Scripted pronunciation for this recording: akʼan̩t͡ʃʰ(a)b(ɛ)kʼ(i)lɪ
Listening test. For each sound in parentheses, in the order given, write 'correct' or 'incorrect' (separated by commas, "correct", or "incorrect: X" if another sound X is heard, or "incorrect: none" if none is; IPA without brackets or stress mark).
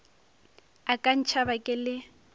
correct, incorrect: a, incorrect: ɪ